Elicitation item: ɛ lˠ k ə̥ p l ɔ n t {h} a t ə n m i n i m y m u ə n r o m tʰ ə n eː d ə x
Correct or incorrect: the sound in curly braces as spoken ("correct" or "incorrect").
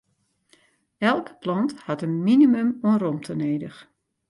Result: correct